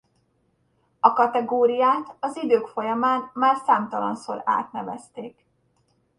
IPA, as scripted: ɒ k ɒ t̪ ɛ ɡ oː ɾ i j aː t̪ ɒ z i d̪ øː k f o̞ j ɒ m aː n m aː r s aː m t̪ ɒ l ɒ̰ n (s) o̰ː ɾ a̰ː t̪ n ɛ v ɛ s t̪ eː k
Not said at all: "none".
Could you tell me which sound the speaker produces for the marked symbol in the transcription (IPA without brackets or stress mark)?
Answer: s